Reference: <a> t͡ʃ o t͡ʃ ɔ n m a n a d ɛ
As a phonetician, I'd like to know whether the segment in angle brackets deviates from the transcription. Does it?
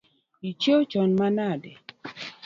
yes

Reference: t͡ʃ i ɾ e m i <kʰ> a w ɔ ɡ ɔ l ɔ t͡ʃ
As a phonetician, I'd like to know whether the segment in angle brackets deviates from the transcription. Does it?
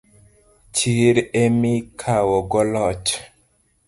no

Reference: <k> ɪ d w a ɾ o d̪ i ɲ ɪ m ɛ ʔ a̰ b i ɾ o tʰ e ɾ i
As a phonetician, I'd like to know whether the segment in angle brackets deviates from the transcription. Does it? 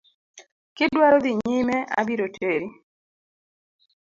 no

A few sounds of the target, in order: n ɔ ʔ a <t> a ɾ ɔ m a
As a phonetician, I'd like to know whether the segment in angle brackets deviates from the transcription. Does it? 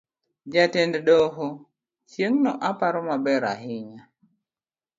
yes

